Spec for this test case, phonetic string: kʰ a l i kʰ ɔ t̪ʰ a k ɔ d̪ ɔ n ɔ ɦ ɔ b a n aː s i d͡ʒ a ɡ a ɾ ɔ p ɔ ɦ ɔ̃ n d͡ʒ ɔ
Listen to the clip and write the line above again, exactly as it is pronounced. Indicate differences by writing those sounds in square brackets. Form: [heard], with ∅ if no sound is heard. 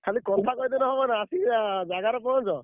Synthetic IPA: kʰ a l i [k] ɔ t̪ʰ a k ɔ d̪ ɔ n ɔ ɦ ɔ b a n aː s i d͡ʒ a ɡ a ɾ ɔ p ɔ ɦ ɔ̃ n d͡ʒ ɔ